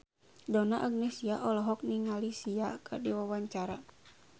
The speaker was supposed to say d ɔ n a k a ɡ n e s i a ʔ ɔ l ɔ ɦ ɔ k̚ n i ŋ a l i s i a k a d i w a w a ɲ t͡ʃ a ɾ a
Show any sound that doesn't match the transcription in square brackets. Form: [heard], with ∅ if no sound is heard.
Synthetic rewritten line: d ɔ n a [ʔ] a ɡ n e s i a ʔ ɔ l ɔ ɦ ɔ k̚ n i ŋ a l i s i a k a d i w a w a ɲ t͡ʃ a ɾ a